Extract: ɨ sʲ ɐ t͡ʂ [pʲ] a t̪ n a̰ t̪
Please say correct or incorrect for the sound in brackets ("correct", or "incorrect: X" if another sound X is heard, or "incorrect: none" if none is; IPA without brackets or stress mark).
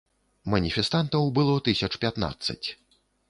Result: correct